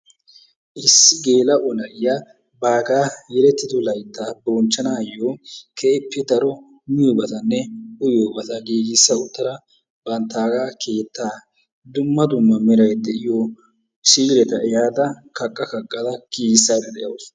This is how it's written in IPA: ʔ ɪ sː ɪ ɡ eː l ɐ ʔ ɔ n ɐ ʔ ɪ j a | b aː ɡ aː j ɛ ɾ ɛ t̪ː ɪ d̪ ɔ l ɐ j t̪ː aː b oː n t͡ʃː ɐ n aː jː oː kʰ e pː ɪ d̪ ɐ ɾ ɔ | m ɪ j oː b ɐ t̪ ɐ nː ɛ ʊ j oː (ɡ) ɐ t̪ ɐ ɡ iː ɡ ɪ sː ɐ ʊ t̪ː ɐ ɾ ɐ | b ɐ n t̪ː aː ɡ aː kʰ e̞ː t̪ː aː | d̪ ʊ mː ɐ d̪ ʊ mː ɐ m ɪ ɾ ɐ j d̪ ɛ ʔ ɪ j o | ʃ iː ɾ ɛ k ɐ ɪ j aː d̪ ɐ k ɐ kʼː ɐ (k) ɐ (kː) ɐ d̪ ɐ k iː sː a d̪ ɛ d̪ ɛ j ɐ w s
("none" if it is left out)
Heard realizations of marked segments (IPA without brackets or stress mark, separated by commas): b, k, kʼː